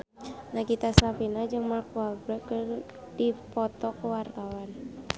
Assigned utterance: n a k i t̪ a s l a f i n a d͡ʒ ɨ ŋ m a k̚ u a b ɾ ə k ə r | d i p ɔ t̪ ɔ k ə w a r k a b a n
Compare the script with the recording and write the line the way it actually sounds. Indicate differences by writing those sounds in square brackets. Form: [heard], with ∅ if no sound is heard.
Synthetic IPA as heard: n a k i t̪ a s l a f i n a d͡ʒ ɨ ŋ m a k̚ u a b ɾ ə k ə r | d i p ɔ t̪ ɔ k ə w a r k a [w] a n